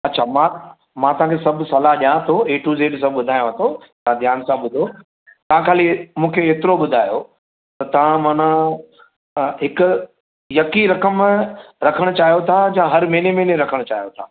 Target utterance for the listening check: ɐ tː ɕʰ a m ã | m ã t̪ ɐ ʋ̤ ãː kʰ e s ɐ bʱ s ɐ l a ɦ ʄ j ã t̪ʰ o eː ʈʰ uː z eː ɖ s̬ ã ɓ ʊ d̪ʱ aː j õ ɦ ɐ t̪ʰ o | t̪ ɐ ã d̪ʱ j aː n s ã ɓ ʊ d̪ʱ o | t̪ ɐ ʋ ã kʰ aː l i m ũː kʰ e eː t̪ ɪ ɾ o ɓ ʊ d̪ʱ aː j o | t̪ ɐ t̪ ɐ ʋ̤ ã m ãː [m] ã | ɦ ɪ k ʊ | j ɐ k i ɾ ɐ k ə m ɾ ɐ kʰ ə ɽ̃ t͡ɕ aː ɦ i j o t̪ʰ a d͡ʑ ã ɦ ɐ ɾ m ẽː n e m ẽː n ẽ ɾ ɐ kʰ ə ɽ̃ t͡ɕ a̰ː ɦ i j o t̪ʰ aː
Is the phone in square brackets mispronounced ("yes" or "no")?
yes